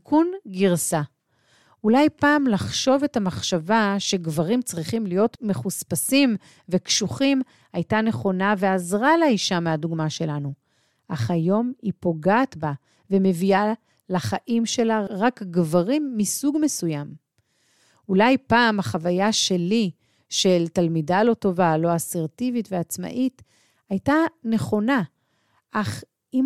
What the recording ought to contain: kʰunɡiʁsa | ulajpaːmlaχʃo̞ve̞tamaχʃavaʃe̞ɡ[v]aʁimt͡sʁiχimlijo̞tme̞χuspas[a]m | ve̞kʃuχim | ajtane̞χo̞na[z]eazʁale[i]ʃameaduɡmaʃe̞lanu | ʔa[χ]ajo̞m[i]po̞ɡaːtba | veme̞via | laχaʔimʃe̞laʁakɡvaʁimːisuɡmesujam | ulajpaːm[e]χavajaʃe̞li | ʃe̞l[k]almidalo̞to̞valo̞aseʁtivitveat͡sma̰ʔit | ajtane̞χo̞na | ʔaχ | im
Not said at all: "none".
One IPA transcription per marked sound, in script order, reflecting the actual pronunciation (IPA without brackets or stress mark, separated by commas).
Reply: v, i, v, i, χ, i, a, t